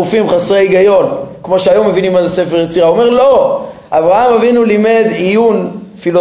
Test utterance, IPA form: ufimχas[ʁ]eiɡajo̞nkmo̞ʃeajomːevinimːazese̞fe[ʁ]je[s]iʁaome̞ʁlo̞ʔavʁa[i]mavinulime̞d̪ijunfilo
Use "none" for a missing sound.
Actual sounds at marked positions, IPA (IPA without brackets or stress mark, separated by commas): ʁ, ʁ, t͡s, a